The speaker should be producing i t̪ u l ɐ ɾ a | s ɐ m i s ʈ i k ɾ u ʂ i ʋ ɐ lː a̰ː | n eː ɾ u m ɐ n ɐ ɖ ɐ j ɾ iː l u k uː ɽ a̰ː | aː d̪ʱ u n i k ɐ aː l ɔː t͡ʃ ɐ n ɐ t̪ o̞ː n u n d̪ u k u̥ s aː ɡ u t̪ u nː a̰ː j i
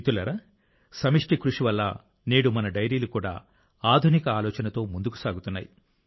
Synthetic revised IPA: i t̪ u l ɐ ɾ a | s ɐ m i ʂ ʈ i k ɾ u ʂ i ʋ ɐ lː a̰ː | n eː ɽ u m ɐ n ɐ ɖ ɐ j ɾ iː l u k uː ɽ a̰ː | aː d̪ʱ u n i k ɐ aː l ɔː t͡ʃ ɐ n ɐ t̪ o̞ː m u n d̪ u k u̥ s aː ɡ u t̪ u nː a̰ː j i